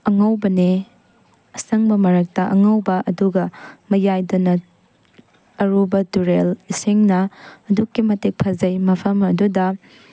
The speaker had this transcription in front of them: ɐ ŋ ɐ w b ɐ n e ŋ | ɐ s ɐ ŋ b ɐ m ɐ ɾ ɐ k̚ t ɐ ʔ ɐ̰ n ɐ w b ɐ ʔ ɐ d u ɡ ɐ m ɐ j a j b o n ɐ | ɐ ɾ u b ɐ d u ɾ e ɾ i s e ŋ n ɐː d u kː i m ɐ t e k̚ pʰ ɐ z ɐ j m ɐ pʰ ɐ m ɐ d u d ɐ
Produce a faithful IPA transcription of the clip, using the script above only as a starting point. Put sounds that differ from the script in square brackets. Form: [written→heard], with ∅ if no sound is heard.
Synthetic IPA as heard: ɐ ŋ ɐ w b ɐ n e [ŋ→∅] | ɐ s ɐ ŋ b ɐ m ɐ ɾ ɐ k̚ t ɐ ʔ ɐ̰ [n→ŋ] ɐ w b ɐ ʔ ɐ d u ɡ ɐ m ɐ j a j [b→d] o n ɐ | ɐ ɾ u b ɐ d u ɾ e [ɾ→l] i s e ŋ n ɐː d u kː i m ɐ t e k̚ pʰ ɐ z ɐ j m ɐ pʰ ɐ m ɐ d u d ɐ